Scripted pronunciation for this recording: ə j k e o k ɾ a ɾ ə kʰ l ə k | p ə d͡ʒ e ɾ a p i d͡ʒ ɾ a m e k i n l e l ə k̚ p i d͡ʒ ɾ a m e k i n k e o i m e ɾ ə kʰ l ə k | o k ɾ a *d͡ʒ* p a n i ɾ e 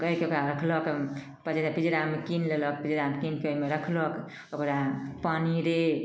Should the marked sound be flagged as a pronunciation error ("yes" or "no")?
yes